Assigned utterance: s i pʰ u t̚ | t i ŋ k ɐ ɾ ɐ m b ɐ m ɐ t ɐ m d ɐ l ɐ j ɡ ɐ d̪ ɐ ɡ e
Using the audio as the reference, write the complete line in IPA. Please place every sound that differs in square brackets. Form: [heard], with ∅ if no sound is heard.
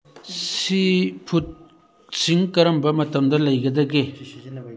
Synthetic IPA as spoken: s i pʰ u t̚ | [s] i ŋ k ɐ ɾ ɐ m b ɐ m ɐ t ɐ m d ɐ l ɐ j ɡ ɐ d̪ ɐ ɡ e

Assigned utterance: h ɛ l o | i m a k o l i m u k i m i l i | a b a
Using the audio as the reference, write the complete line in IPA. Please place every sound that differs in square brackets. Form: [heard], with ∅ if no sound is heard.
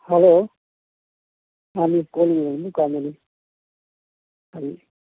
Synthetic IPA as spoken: h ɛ l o | [a] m [i] k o l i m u k [a] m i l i | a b [i]

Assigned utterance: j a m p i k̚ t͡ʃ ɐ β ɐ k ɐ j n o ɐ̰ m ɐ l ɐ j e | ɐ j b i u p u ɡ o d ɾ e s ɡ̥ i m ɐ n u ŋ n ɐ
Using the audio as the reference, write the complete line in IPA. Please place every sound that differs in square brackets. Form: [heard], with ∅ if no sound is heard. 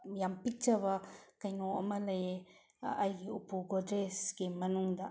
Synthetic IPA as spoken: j a m p i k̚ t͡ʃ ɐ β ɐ k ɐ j n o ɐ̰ m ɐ l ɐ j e | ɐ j [ɡ] i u p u ɡ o d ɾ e s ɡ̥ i m ɐ n u ŋ [d] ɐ

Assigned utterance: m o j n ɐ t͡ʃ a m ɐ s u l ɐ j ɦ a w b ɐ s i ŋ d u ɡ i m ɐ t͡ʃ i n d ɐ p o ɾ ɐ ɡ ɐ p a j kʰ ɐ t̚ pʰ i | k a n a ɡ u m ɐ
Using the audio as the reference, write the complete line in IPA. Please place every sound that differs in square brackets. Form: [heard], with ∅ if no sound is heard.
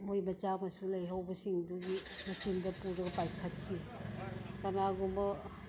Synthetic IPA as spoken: m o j [m] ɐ t͡ʃ a m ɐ s u l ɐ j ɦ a w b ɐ s i ŋ d u ɡ i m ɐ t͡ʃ i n d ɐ p [u] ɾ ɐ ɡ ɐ p a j kʰ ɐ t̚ [kʰ] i | k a n a ɡ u m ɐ

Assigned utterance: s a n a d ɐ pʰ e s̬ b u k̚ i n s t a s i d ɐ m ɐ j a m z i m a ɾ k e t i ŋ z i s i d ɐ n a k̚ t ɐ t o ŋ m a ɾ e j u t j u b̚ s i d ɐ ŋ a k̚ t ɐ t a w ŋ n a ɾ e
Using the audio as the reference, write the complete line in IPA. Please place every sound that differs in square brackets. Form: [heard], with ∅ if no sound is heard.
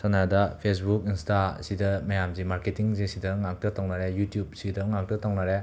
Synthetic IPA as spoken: s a n a d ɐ pʰ e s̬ b u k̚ i n s t a s i d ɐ m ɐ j a m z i m a ɾ k e t i ŋ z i s i d ɐ [ŋ] a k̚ t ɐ t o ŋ [n] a ɾ e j u t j u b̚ s i d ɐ ŋ a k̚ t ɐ t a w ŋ n a ɾ e

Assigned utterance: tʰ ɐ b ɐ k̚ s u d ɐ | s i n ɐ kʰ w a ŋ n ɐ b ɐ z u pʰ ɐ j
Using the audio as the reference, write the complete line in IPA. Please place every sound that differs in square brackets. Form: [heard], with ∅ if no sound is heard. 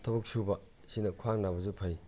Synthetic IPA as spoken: tʰ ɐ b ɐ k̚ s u [b] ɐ | s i n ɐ kʰ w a ŋ n [a] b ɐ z u pʰ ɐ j

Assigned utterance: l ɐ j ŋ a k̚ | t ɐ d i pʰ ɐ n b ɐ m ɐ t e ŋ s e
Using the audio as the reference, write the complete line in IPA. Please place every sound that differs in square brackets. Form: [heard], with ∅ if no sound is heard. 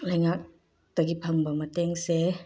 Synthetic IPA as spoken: l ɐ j ŋ a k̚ | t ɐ [ɡ] i pʰ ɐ [ŋ] b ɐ m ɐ t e ŋ s e

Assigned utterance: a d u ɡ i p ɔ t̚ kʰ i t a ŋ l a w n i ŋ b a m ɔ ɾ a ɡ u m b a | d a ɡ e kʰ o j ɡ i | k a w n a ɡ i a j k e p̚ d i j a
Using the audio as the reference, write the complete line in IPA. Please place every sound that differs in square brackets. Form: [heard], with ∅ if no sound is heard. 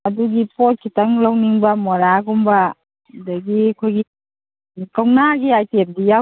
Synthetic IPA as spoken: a d u ɡ i p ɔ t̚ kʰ i t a ŋ l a w n i ŋ b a m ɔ ɾ a ɡ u m b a | d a ɡ [i] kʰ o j ɡ i | k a w n a ɡ i a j [t] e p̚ d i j a

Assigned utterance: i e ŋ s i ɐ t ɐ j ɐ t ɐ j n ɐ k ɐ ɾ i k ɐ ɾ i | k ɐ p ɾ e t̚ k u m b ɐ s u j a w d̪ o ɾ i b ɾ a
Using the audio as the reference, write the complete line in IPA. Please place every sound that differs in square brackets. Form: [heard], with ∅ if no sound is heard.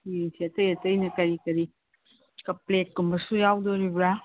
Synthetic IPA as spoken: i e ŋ s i ɐ t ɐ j ɐ t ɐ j n ɐ k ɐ ɾ i k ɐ ɾ i | k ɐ p [l] e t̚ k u m b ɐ s u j a w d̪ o ɾ i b ɾ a

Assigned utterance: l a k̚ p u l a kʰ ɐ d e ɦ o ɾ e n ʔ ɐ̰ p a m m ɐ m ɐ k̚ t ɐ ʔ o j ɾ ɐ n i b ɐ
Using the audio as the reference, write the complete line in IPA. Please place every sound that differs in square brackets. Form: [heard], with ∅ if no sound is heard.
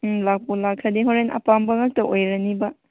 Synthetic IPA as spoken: l a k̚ p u l a kʰ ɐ d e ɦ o ɾ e n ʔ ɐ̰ p a m [b] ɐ [ŋ] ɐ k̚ t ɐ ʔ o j ɾ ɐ n i b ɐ

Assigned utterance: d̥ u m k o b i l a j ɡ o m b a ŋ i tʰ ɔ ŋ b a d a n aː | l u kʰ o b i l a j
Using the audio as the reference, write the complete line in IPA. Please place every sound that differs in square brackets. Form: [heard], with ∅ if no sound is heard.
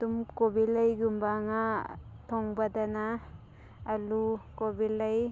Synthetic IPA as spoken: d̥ u m k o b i l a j ɡ [u] m b a ŋ [a] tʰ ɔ ŋ b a d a n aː | l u [k] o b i l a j

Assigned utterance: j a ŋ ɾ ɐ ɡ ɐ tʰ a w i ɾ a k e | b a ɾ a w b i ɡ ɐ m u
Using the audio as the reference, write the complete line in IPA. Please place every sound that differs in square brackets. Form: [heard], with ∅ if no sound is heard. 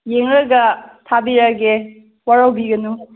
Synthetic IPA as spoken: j [e] ŋ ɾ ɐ ɡ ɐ tʰ a [b] i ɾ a [ɡ] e | [w] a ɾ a w b i ɡ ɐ [n] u

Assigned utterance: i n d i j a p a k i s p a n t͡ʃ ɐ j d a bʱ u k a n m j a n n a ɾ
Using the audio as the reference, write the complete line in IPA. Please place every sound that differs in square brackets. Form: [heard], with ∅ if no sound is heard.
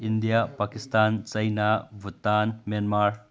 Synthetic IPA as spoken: i n d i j a p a k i s [t] a n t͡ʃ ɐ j [n] a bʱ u [t] a n m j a n [m] a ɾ

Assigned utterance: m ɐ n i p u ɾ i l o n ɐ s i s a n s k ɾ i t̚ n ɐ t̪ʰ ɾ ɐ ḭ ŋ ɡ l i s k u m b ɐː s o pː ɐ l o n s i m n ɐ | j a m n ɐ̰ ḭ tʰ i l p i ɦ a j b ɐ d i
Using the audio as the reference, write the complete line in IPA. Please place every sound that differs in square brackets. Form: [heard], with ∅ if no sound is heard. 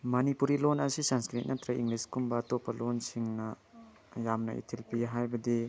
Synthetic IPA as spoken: m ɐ n i p u ɾ i l o n ɐ s i s a n s k ɾ i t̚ n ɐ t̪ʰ ɾ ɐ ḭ ŋ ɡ l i s k u m b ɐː [t] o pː ɐ l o n s i [ŋ] n ɐ | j a m n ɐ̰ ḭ tʰ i l p i ɦ a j b ɐ d i

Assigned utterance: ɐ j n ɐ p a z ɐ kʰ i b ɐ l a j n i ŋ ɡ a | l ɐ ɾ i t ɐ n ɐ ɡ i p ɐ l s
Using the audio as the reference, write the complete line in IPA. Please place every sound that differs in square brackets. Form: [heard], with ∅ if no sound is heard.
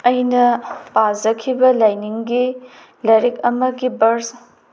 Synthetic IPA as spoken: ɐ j n ɐ p a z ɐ kʰ i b ɐ l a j n i ŋ ɡ [i] | l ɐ ɾ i [k] ɐ [m] ɐ ɡ i [b] ɐ [ɾ] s

